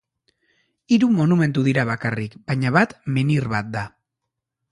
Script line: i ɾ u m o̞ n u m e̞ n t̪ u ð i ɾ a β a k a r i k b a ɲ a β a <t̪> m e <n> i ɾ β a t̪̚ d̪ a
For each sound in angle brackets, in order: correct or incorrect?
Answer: correct, correct

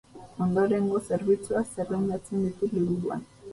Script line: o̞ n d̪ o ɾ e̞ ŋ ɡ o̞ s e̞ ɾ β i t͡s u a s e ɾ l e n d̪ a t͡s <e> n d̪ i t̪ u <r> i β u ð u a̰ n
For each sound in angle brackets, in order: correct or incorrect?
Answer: correct, incorrect

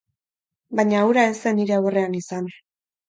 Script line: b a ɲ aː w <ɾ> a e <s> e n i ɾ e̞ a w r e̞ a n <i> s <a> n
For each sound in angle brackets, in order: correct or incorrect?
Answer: correct, correct, correct, correct

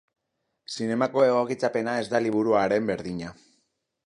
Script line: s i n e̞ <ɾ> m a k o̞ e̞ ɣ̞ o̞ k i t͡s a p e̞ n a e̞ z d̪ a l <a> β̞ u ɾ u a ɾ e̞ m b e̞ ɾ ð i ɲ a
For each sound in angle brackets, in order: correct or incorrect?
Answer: incorrect, incorrect

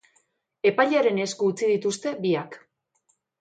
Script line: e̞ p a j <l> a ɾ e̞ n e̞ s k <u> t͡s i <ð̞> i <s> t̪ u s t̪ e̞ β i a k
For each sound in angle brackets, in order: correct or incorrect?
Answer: incorrect, incorrect, correct, incorrect

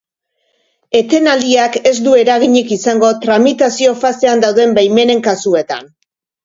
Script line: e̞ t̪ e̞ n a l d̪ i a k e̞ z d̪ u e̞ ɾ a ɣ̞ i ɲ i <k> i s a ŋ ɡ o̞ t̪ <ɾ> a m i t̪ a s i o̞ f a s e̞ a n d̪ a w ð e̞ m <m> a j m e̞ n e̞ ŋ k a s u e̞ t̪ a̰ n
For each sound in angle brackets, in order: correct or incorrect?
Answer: correct, correct, incorrect

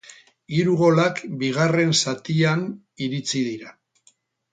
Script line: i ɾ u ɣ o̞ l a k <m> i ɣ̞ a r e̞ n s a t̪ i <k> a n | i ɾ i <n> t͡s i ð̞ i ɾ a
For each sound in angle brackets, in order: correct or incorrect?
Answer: incorrect, incorrect, incorrect

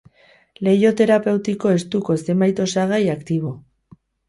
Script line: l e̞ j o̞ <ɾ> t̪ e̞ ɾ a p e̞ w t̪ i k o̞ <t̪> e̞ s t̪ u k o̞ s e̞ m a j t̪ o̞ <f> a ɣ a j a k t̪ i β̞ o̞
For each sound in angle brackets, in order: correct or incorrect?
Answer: incorrect, incorrect, incorrect

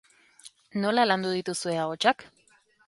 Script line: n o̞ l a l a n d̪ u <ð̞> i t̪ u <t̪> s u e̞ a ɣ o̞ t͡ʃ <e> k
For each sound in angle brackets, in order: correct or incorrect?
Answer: correct, incorrect, incorrect

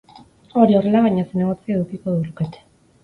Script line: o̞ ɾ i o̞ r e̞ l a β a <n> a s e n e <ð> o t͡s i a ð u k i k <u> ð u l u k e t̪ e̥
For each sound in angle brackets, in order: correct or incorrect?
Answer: incorrect, incorrect, incorrect

